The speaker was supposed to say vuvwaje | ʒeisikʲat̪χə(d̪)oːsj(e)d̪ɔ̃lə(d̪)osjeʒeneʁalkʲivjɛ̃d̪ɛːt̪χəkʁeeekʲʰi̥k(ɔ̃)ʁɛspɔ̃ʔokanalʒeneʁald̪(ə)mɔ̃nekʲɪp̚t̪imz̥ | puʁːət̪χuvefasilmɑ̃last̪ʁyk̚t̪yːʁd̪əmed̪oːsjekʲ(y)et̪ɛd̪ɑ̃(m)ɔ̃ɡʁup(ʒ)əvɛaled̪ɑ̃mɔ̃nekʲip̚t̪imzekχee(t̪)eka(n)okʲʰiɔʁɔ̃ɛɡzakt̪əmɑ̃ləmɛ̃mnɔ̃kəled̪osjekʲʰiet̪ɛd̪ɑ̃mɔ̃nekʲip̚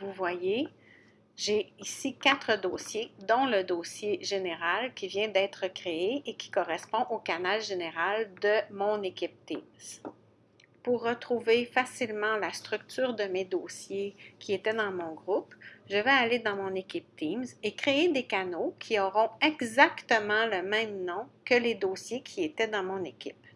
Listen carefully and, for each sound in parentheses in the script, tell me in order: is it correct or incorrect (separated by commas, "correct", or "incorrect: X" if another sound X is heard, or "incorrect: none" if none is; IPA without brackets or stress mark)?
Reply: correct, correct, correct, incorrect: ɔ, correct, incorrect: i, correct, correct, incorrect: d̪, correct